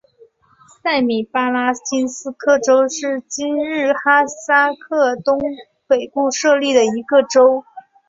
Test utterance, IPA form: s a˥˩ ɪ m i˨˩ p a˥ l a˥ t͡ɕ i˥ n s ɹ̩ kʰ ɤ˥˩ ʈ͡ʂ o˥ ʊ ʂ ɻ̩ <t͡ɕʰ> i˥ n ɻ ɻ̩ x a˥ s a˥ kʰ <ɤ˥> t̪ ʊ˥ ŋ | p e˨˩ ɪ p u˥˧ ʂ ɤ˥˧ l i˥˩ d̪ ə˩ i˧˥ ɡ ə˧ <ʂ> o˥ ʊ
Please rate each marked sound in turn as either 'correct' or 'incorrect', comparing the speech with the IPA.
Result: incorrect: t͡ɕ, incorrect: ɤ˥˩, incorrect: ʈ͡ʂ

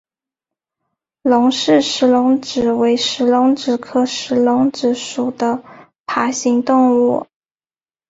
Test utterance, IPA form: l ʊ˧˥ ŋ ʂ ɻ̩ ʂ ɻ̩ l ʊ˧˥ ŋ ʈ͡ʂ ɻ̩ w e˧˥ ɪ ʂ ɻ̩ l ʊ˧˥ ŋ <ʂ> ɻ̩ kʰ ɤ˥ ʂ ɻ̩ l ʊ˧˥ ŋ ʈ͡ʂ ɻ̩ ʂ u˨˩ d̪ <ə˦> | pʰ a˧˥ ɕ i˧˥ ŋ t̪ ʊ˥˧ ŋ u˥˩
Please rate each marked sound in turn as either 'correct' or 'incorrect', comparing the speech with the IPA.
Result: incorrect: ʈ͡ʂ, correct

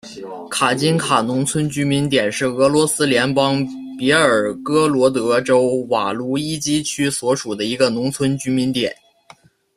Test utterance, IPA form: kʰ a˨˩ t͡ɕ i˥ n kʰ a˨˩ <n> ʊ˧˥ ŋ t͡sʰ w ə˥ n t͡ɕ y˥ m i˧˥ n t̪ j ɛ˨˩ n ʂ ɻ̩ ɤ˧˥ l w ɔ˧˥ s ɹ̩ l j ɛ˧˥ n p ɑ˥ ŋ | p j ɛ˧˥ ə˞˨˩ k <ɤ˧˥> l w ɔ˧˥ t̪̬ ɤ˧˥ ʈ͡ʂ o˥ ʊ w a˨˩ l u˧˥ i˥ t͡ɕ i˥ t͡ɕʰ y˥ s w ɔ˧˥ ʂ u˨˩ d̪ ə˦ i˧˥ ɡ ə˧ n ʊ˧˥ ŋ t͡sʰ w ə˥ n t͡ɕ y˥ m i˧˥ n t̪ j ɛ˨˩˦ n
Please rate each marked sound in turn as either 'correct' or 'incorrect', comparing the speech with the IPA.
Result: correct, incorrect: ɤ˥

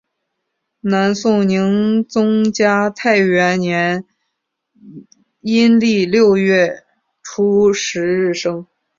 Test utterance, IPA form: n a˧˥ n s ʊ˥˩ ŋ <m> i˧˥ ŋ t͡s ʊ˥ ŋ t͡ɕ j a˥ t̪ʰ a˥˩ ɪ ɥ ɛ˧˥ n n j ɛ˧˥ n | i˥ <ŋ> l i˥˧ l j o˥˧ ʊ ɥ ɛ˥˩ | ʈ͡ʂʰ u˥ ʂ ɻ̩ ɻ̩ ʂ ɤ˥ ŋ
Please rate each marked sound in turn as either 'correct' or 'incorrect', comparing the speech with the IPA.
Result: incorrect: n, incorrect: n

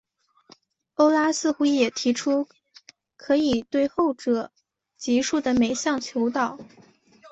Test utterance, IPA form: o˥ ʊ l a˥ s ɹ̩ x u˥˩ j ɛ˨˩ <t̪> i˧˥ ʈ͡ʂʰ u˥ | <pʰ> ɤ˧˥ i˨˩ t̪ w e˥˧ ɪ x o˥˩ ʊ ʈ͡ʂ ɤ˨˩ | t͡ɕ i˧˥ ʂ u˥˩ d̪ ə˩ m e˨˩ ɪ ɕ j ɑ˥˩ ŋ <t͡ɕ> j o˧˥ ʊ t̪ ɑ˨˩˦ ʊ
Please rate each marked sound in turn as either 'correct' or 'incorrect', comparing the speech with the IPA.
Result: incorrect: t̪ʰ, incorrect: kʰ, incorrect: t͡ɕʰ

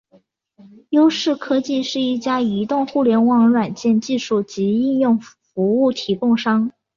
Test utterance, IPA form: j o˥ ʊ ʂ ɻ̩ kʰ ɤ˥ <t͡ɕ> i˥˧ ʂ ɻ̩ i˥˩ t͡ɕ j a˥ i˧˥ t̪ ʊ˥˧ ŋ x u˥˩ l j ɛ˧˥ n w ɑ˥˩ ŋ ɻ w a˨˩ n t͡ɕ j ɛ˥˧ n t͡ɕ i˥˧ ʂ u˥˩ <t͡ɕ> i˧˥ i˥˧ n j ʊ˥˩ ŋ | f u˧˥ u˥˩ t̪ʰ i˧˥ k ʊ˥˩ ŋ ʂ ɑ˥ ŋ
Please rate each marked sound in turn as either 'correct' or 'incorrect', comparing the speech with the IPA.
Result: correct, correct

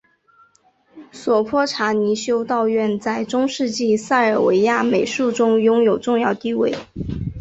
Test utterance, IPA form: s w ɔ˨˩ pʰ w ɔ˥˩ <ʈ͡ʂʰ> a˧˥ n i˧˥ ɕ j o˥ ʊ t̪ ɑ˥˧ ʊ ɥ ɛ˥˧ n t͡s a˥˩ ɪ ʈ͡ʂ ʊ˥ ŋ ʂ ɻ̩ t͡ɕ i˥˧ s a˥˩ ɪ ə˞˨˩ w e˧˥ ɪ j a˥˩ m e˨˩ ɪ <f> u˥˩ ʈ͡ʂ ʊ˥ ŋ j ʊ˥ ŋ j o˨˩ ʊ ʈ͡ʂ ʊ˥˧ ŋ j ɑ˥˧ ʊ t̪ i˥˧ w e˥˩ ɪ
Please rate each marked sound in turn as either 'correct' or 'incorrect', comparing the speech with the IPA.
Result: correct, incorrect: ʂ

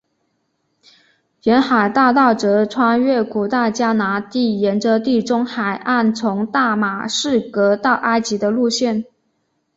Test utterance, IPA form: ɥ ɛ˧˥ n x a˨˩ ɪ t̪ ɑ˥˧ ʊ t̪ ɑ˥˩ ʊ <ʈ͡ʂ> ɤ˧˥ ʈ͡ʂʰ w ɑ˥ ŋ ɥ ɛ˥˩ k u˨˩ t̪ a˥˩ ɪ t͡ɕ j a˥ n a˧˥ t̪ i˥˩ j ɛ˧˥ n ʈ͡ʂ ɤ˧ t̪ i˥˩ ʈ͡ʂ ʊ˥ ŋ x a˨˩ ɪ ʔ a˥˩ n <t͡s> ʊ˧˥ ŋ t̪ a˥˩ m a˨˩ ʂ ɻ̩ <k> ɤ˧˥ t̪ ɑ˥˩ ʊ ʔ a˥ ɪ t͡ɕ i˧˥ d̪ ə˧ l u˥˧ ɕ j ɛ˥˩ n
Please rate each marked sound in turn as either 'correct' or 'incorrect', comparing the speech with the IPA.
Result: correct, incorrect: t͡sʰ, correct

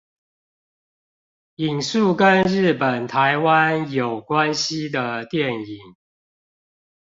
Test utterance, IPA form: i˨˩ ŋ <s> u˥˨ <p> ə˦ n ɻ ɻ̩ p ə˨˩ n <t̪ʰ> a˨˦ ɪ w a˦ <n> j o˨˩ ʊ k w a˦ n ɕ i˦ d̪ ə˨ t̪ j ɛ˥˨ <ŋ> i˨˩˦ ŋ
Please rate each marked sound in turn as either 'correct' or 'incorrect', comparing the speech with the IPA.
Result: correct, incorrect: k, correct, correct, incorrect: n

